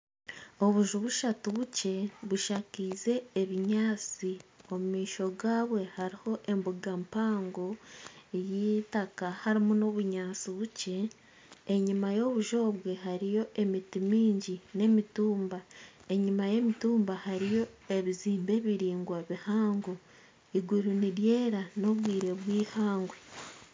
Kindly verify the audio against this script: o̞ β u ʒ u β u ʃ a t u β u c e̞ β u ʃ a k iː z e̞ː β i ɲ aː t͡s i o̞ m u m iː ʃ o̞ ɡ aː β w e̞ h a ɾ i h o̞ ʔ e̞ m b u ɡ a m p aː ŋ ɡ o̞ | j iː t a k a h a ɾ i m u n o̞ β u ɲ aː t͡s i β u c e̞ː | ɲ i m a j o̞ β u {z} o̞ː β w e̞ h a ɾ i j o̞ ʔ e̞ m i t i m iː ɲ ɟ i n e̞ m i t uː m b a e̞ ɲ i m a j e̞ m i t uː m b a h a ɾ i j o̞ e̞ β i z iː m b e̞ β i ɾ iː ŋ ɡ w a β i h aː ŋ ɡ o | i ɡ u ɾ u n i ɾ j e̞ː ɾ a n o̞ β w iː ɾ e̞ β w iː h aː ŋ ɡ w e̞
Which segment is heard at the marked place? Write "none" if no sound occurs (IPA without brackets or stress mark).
ʒ